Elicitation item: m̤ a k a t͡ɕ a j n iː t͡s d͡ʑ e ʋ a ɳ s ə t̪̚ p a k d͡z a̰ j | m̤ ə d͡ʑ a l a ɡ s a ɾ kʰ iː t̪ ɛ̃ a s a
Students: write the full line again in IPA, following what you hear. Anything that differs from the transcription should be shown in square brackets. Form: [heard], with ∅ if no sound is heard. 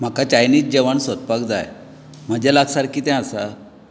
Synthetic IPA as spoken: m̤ a k a t͡ɕ a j n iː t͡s d͡ʑ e ʋ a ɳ s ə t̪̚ p a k d͡z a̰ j | m̤ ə d͡ʑ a l a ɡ s a ɾ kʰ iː t̪ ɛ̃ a s a